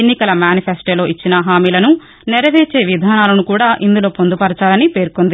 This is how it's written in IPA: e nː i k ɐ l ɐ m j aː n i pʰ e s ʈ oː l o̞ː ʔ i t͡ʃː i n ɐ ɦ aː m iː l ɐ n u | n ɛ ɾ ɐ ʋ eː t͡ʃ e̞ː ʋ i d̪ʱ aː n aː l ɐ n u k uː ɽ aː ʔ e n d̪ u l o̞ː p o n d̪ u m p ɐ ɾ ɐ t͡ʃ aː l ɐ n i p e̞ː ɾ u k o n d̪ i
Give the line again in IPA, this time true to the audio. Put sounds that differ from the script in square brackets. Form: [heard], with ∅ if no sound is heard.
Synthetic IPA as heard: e nː i k ɐ l ɐ m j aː n i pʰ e s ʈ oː l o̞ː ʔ i t͡ʃː i n ɐ ɦ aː m iː l ɐ n u | n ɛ ɾ ɐ ʋ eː t͡ʃ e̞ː ʋ i d̪ʱ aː n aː l ɐ n u k uː ɽ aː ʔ [i] n d̪ u l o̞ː p o n d̪ u [∅] p ɐ ɾ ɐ t͡ʃ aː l ɐ n i p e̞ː ɾ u k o n d̪ i